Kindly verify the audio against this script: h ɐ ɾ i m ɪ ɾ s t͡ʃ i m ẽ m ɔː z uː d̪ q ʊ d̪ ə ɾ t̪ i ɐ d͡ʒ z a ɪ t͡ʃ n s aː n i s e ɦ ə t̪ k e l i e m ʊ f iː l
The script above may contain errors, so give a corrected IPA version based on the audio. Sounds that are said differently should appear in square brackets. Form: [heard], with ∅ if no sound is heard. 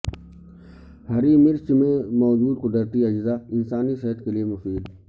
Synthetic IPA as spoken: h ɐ ɾ i m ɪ ɾ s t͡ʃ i m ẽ m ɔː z uː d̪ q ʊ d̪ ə ɾ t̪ i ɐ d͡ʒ z a ɪ [∅] n s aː n i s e ɦ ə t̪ k e l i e m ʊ f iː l